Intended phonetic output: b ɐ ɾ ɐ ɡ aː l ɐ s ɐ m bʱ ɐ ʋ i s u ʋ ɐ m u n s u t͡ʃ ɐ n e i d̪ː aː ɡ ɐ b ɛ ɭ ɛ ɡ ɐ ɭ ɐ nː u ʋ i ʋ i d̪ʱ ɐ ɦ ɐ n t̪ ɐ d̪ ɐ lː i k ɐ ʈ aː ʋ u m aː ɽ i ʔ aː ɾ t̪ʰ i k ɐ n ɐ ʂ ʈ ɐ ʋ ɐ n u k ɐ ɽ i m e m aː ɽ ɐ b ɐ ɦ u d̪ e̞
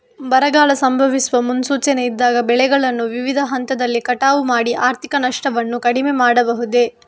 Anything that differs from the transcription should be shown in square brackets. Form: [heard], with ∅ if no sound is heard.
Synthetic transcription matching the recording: b ɐ ɾ ɐ ɡ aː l ɐ s ɐ m bʱ ɐ ʋ i s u ʋ ɐ m u n s [uː] t͡ʃ ɐ n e i d̪ː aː ɡ ɐ b ɛ ɭ ɛ ɡ ɐ ɭ ɐ nː u ʋ i ʋ i d̪ʱ ɐ ɦ ɐ n t̪ ɐ d̪ ɐ lː i k ɐ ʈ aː ʋ u m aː ɽ i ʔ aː ɾ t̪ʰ i k ɐ n ɐ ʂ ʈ ɐ ʋ ɐ [nː] u k ɐ ɽ i m e m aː ɽ ɐ b ɐ ɦ u d̪ e̞